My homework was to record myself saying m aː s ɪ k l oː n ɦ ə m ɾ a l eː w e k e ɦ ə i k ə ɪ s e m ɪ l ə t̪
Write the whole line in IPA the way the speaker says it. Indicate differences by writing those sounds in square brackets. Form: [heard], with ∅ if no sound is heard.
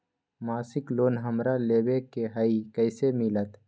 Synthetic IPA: m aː s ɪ k l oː n ɦ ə m ɾ a l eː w e k e ɦ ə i k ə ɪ s e m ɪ l ə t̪

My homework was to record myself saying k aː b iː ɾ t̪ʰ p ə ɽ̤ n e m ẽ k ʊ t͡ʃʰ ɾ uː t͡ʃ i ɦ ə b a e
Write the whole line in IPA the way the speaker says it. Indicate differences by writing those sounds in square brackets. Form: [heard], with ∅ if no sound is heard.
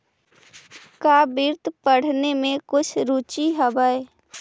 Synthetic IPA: k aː b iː ɾ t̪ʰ p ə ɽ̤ n e m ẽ k ʊ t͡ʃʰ ɾ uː t͡ʃ i ɦ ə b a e

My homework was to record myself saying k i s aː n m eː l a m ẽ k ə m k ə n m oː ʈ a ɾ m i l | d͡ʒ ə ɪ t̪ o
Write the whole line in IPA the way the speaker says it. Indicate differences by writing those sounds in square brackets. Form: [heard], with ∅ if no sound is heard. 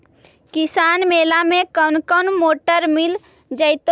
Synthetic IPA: k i s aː n m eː l a m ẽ k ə [n] k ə n m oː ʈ [ə] ɾ m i l | d͡ʒ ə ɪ t̪ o

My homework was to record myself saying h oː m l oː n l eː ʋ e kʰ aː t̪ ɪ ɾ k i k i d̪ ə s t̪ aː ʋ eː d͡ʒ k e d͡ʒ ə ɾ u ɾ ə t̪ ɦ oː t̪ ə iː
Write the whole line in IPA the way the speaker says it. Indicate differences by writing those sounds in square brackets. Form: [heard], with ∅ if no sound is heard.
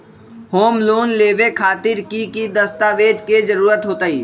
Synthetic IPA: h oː m l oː n l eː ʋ e kʰ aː t̪ ɪ ɾ k i k i d̪ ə s t̪ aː ʋ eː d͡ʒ k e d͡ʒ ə ɾ [uː] ɾ ə t̪ ɦ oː t̪ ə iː

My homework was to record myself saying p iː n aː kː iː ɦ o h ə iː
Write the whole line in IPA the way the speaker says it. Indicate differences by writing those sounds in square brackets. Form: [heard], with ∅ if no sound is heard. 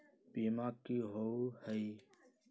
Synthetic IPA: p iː [m] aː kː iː ɦ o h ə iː

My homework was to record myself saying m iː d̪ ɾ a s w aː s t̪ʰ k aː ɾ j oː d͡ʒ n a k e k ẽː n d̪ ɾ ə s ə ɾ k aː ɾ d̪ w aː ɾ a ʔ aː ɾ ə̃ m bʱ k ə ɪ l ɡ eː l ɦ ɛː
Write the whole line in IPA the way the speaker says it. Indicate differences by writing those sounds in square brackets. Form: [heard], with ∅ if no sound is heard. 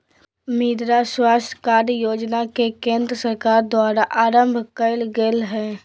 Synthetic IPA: m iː d̪ ɾ a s w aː s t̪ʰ k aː ɾ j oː d͡ʒ n a k e k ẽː n d̪ ɾ ə s ə ɾ k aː ɾ d̪ w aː ɾ a ʔ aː ɾ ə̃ m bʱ k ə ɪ l ɡ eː l ɦ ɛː

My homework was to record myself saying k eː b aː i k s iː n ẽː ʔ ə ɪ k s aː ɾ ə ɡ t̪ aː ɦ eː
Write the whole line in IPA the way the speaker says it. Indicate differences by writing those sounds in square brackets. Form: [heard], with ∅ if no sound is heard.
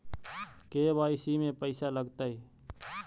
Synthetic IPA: k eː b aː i [∅] s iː [m] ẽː [p] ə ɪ [∅] s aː [l] ə ɡ t̪ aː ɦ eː

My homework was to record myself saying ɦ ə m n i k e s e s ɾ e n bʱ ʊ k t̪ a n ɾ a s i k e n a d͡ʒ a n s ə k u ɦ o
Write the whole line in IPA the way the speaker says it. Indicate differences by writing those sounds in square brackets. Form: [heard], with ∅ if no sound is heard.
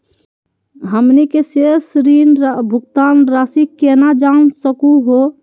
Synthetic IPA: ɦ ə m n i k e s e s ɾ [i] n bʱ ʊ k t̪ a n ɾ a s i k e n a d͡ʒ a n s ə k u ɦ o

